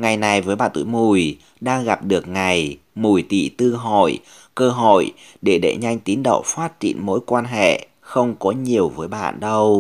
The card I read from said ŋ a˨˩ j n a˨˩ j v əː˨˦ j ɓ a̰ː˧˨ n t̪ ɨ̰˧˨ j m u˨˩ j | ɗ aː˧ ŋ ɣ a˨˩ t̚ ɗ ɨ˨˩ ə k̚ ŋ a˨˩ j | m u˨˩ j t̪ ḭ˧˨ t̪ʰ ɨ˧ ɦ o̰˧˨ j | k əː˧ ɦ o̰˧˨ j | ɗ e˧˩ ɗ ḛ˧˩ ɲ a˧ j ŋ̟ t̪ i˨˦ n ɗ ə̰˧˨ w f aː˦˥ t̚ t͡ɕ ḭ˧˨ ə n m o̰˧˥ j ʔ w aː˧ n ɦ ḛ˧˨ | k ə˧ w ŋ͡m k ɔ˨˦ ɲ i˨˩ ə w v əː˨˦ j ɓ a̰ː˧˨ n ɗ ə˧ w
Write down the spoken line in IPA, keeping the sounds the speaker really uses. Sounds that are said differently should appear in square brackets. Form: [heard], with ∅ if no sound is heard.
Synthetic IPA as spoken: ŋ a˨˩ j n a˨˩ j v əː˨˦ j ɓ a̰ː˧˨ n t̪ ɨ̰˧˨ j m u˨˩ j | ɗ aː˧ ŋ ɣ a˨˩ [p̚] ɗ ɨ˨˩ ə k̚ ŋ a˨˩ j | m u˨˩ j t̪ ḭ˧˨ [t̪] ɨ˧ ɦ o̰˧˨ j | k əː˧ ɦ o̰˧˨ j | ɗ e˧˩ ɗ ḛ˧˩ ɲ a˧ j ŋ̟ t̪ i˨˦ n ɗ ə̰˧˨ w f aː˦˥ t̚ t͡ɕ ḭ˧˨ ə n m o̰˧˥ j [k] w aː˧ n ɦ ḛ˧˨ | [x] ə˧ w ŋ͡m k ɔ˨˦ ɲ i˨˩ ə w v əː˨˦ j ɓ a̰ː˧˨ n ɗ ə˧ w